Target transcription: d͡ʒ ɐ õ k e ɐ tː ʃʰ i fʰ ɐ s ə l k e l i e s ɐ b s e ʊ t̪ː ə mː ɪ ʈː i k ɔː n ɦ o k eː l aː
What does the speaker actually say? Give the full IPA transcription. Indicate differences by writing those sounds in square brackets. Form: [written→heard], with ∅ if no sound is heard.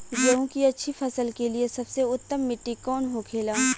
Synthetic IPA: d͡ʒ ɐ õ k [e→i] ɐ tː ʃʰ i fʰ ɐ s ə l k e l i e s ɐ b s e ʊ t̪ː ə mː ɪ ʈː i k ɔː n ɦ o [k→kʰ] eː l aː